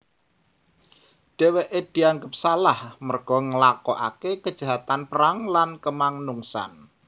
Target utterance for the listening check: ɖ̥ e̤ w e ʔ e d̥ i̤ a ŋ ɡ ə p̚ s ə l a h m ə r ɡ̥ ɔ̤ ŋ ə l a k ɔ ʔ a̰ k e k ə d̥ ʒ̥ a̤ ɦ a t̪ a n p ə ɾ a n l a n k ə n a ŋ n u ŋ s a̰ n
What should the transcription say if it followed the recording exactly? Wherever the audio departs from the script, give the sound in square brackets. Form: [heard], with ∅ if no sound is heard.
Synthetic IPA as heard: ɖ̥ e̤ w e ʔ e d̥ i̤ a ŋ ɡ ə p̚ s [a] l a h m ə r ɡ̥ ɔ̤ ŋ ə l a k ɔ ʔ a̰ k e k ə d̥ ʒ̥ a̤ ɦ a t̪ a n p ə ɾ a [ŋ] l a n k ə [m] a ŋ n u ŋ s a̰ n